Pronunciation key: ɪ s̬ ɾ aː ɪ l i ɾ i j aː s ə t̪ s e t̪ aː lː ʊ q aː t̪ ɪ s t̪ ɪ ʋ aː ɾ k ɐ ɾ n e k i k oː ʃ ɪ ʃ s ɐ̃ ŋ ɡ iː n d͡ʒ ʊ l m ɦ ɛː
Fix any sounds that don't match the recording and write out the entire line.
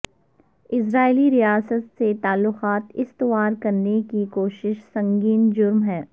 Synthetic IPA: ɪ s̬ ɾ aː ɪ l i ɾ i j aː s ə t̪ s e t̪ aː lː ʊ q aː t̪ ɪ s t̪ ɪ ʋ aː ɾ k ɐ ɾ n e k i k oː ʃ ɪ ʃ s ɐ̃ ŋ ɡ iː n d͡ʒ ʊ ɾ m ɦ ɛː